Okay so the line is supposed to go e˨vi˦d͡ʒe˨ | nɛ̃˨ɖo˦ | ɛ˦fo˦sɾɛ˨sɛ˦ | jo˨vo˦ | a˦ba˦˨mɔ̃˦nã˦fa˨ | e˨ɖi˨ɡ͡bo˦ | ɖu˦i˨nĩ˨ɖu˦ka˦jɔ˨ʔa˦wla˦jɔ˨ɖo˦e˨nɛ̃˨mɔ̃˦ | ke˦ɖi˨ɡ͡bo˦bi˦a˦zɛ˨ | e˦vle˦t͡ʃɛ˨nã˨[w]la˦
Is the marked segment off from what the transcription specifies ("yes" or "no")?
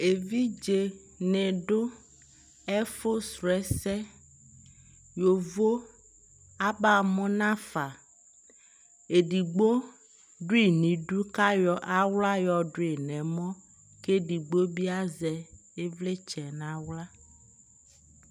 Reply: no